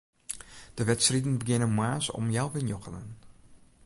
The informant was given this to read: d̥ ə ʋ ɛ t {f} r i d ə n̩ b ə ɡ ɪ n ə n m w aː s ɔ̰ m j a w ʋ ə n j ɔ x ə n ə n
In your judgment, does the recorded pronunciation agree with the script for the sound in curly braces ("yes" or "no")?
no